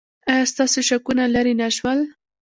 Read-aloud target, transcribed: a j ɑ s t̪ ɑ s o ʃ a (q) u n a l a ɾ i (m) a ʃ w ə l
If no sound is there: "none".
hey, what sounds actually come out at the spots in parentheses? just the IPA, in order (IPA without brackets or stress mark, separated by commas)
k, n